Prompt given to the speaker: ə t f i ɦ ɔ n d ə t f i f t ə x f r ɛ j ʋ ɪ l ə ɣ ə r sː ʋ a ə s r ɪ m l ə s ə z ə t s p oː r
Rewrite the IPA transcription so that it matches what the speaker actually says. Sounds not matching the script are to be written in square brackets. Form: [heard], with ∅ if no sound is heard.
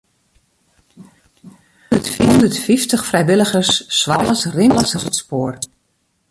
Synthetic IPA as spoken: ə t f i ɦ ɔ n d ə t f i f t ə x f r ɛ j ʋ ɪ l ə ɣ ə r sː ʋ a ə s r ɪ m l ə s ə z ə t s p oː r